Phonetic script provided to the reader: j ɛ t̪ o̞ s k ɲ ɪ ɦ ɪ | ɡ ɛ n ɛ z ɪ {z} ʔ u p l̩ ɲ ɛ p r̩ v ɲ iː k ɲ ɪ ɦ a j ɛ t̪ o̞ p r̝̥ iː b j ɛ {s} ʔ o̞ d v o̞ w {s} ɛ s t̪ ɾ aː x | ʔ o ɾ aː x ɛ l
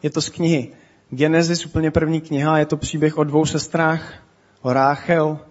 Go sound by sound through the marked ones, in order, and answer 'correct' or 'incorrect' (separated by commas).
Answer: incorrect, incorrect, correct